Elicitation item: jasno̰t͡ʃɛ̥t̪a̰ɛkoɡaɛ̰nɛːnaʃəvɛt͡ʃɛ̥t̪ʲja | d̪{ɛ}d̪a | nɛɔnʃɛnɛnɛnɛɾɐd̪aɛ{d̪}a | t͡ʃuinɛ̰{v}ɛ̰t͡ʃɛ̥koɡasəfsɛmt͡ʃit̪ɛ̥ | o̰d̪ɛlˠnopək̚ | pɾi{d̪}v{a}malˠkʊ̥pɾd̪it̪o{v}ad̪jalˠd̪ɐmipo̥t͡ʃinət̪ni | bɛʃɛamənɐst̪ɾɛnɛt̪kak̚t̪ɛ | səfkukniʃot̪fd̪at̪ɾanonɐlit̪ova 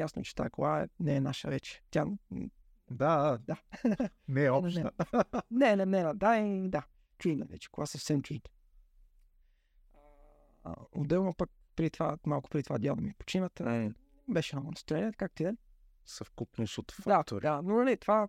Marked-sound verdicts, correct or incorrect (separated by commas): incorrect, correct, correct, incorrect, correct, correct